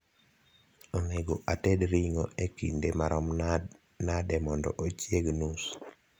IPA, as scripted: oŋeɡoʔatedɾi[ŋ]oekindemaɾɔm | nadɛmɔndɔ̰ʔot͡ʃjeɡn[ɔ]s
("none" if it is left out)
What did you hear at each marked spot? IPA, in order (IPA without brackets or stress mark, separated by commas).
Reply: ŋ, u